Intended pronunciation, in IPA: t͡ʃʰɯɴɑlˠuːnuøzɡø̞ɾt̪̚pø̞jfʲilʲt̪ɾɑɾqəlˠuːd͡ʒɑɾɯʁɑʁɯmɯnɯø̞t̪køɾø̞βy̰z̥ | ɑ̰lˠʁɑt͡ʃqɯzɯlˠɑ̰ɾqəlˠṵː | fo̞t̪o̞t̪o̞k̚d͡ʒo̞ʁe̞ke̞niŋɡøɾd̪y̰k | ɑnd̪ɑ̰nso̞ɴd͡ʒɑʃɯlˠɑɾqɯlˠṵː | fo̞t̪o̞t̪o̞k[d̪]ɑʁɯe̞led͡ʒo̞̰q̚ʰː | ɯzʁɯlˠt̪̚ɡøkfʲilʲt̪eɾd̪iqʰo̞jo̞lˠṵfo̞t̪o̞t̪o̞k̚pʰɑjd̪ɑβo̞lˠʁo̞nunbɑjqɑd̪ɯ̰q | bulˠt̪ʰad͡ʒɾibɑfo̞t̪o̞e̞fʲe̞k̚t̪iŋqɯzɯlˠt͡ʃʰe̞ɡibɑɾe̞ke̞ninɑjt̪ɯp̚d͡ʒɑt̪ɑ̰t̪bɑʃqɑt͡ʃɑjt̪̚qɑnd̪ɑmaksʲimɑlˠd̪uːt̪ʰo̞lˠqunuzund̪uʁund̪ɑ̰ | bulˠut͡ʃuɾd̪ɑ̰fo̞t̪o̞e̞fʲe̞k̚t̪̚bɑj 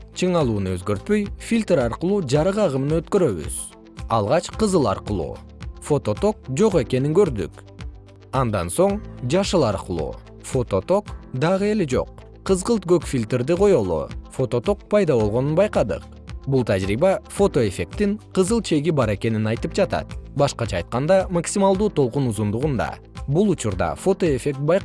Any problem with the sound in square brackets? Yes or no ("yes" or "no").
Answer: no